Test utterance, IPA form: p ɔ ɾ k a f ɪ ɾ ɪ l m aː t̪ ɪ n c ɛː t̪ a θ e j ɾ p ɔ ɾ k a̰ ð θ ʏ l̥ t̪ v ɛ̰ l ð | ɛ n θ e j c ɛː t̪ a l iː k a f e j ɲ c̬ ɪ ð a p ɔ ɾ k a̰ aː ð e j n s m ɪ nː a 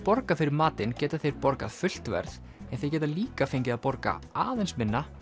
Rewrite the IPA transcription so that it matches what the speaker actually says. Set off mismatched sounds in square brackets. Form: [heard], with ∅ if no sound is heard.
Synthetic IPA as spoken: p ɔ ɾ k a f ɪ ɾ ɪ [ɾ] m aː t̪ ɪ n c ɛː t̪ a θ e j ɾ p ɔ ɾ k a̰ ð [f] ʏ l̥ t̪ v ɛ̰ [ɾ] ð | ɛ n θ e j c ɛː t̪ a l iː k a f e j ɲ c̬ ɪ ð a p ɔ ɾ k a̰ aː ð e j n s m ɪ nː a

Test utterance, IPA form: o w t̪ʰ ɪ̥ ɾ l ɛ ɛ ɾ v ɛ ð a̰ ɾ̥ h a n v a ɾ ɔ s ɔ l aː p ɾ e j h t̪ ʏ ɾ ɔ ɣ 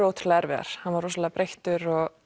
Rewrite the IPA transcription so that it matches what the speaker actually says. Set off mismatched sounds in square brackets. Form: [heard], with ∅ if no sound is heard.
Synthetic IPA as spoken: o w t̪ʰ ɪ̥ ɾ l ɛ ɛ ɾ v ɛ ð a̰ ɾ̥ h a n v a ɾ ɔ s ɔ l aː p ɾ e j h t̪ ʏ ɾ ɔ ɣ

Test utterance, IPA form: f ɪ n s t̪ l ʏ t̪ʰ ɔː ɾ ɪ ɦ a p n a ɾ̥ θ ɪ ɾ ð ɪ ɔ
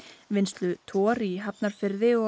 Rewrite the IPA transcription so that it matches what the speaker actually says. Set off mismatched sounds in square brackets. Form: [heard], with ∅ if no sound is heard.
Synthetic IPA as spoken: [v] ɪ n s t̪ l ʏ t̪ʰ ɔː ɾ [i] ɦ a p n a ɾ̥ [f] ɪ ɾ ð ɪ ɔ

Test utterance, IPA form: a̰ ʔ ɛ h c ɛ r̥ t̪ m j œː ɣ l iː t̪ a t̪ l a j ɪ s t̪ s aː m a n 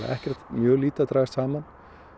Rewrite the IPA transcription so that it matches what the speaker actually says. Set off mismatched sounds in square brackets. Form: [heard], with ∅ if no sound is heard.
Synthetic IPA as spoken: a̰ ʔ ɛ h c ɛ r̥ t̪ m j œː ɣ l iː t̪ a t̪ [ɾ] a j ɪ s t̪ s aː m a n

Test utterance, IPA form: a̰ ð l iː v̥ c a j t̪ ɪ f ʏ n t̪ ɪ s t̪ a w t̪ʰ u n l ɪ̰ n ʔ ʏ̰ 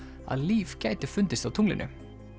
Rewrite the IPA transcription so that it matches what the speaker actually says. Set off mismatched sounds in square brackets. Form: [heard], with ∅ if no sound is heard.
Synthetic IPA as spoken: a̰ ð l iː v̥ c a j t̪ ɪ f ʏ n t̪ ɪ s t̪ a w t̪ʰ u [ŋ] l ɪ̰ n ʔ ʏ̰

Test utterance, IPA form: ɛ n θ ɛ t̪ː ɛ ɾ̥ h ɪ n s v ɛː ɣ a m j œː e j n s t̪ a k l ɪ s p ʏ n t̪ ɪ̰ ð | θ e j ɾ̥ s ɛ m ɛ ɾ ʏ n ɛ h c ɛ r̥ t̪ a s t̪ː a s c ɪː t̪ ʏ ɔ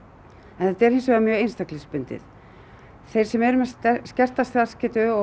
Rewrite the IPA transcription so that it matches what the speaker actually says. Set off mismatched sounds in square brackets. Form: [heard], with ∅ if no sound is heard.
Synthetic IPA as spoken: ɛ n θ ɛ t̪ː ɛ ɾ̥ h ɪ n s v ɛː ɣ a m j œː e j n s t̪ a k l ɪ s p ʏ n t̪ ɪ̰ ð | θ e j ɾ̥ s ɛ m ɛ ɾ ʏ [m] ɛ [s] c ɛ r̥ t̪ a s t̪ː a s c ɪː t̪ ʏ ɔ

